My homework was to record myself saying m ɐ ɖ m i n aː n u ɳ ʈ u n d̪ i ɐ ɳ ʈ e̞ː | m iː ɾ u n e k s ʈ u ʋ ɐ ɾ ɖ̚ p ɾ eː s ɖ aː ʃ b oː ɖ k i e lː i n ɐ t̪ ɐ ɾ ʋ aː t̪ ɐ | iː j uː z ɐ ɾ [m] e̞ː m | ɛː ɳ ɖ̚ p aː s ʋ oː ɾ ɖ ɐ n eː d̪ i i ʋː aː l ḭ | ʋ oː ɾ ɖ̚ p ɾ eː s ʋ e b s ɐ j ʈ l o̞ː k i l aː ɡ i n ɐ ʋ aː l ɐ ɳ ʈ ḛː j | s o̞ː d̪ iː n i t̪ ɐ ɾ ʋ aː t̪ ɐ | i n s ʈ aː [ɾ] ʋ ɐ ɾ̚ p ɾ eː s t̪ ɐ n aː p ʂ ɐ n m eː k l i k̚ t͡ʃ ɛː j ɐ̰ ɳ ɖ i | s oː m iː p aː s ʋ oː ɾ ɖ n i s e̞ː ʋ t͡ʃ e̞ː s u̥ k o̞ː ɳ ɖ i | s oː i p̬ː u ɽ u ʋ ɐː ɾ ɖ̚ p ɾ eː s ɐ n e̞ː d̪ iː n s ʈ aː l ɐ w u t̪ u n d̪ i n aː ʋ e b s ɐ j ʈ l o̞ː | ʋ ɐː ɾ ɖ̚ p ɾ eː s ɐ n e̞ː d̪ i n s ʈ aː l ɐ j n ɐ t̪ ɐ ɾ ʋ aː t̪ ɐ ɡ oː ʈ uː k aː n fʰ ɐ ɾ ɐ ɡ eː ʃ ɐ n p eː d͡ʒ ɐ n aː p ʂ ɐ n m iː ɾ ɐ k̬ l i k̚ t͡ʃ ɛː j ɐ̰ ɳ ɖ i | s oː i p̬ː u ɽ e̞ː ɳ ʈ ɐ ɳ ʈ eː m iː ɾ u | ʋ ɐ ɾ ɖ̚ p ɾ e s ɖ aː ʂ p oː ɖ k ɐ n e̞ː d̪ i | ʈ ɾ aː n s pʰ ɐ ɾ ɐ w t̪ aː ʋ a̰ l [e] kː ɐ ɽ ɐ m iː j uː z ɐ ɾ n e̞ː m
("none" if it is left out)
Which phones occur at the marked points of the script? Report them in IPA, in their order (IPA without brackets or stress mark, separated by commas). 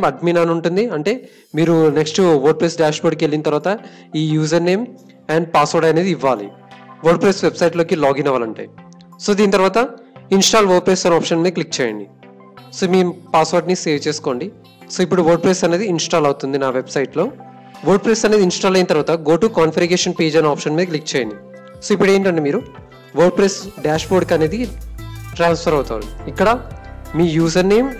n, l, i